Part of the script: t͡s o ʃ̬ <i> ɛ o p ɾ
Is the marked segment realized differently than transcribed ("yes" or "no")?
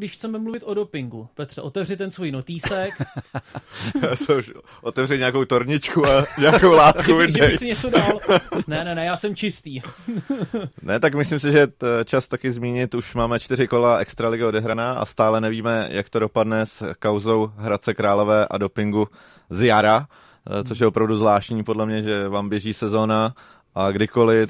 yes